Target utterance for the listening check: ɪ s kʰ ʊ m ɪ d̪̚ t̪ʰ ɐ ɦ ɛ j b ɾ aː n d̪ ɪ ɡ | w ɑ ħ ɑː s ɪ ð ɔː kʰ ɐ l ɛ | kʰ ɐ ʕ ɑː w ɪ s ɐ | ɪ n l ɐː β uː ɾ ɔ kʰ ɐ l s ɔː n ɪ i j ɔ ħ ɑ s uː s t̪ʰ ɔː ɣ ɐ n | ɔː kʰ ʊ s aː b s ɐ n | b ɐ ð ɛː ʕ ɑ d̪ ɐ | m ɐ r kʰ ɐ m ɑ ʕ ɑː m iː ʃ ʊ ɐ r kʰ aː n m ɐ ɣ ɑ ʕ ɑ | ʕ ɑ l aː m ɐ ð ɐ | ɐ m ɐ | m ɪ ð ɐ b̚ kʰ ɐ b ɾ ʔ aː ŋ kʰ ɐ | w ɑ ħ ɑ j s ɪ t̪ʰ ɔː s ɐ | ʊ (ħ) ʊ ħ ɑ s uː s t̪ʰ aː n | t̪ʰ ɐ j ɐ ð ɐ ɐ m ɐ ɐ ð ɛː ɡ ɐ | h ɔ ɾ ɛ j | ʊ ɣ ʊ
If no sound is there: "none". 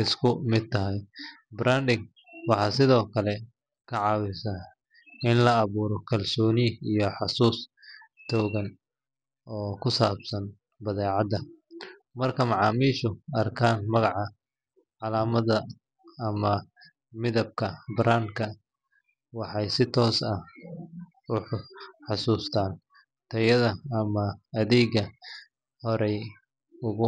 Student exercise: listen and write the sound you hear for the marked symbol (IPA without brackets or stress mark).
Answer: ħ